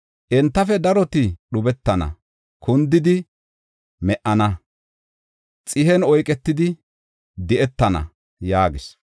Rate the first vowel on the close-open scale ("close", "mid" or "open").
mid